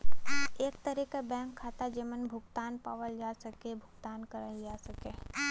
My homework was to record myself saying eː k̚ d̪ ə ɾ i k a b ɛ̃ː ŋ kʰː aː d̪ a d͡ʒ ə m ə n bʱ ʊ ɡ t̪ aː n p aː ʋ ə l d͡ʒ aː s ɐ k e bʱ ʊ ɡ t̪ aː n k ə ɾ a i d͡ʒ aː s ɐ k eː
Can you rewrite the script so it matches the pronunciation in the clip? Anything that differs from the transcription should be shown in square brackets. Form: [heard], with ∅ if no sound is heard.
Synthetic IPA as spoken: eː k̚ [t̪] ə ɾ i k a b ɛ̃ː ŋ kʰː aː [t̪] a d͡ʒ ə m ə n bʱ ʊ ɡ t̪ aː n p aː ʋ ə l d͡ʒ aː s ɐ k e bʱ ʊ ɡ t̪ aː n k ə ɾ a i d͡ʒ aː s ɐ k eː